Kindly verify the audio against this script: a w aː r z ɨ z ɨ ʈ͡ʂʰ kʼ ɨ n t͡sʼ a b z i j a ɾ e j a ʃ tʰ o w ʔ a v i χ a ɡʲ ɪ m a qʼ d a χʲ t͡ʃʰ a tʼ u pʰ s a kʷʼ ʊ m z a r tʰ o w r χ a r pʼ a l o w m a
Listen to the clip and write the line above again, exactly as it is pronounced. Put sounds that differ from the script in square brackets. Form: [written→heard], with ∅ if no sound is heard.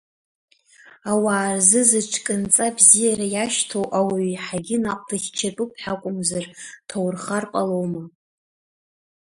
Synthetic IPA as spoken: a w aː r z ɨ z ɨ ʈ͡ʂʰ kʼ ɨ n t͡sʼ a b z i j a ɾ [e→a] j a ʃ tʰ o w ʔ a [v→w] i [χ→ħ] a ɡʲ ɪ [m→n] a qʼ d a χʲ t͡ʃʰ a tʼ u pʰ [s→ħ] a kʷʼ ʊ m z a r tʰ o w r χ a r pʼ a l o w m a